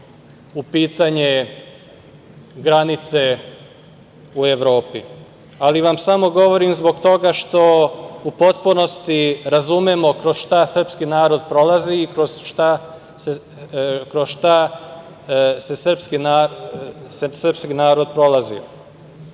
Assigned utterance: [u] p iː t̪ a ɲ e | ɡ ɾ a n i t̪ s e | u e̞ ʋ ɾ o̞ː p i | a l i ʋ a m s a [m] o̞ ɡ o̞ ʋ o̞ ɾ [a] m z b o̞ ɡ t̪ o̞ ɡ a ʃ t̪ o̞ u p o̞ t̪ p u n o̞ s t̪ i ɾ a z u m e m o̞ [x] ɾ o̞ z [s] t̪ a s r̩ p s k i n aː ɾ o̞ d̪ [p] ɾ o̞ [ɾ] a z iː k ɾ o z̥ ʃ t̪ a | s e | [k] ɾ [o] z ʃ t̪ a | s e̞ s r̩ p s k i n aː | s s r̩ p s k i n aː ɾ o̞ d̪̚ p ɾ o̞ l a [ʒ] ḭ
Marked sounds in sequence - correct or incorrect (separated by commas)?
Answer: correct, correct, incorrect, incorrect, incorrect, correct, incorrect, correct, correct, incorrect